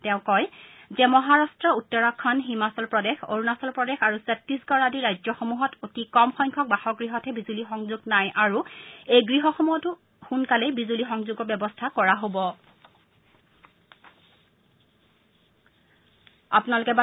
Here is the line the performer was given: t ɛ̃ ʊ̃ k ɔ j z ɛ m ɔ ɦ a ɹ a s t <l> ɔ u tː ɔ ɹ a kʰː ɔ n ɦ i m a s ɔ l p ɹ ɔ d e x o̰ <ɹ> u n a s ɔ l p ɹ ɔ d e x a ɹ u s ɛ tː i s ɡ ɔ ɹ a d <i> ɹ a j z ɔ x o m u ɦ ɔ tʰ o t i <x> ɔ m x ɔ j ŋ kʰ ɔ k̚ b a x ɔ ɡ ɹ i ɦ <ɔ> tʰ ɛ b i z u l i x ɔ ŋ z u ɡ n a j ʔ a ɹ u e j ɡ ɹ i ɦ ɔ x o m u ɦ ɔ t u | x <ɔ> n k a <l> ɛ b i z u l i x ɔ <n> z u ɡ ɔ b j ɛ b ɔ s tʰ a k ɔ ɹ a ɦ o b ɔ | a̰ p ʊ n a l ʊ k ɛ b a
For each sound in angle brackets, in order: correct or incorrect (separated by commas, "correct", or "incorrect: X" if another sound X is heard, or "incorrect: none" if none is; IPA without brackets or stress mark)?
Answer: incorrect: ɹ, correct, correct, incorrect: k, correct, incorrect: u, correct, incorrect: ŋ